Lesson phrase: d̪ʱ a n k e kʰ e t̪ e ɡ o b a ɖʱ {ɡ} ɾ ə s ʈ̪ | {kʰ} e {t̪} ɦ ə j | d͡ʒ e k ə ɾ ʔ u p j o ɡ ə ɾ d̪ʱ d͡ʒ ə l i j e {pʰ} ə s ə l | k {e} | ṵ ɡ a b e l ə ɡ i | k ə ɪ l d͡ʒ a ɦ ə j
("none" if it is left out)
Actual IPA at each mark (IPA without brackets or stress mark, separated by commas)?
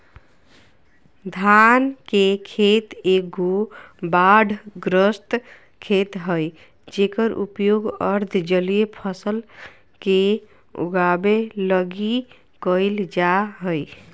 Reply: ɡ, kʰ, t̪, pʰ, e